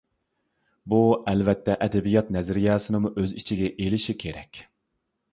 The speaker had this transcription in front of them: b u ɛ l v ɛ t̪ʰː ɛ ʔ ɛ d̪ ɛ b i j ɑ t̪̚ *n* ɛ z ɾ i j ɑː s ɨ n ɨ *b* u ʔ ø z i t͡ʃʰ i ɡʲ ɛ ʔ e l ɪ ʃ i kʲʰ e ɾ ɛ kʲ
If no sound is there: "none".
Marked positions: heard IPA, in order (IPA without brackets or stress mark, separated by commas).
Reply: n, m